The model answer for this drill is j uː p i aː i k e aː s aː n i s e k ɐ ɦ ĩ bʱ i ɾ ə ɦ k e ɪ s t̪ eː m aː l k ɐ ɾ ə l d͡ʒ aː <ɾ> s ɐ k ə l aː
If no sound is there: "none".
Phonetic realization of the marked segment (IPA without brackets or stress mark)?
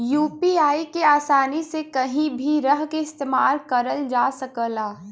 none